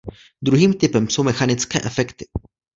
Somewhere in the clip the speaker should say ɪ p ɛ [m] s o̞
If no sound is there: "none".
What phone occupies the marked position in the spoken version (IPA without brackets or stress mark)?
m